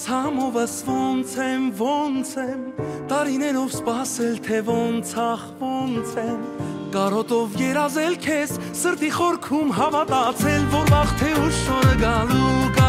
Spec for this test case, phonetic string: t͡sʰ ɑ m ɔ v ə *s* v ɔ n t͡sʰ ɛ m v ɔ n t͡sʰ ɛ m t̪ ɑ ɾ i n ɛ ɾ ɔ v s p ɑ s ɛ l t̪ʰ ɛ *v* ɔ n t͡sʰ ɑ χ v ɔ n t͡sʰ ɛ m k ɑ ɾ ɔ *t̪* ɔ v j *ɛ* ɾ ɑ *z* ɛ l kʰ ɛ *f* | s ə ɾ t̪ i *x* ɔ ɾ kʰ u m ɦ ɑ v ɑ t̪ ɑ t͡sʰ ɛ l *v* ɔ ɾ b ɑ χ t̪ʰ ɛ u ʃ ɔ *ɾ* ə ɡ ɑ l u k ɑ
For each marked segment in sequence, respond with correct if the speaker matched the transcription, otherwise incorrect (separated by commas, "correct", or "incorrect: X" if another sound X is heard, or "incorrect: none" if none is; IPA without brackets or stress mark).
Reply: correct, correct, correct, correct, correct, incorrect: s, incorrect: χ, correct, correct